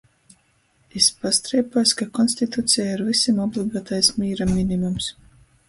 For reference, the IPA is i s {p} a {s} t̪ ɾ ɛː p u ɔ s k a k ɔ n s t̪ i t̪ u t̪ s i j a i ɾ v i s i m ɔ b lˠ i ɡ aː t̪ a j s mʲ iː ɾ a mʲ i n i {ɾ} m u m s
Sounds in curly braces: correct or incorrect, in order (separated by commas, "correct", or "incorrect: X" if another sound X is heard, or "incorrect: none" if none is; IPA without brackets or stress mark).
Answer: correct, correct, incorrect: none